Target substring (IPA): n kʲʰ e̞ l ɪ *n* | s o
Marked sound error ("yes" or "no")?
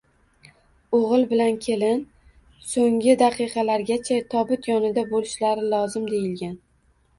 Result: no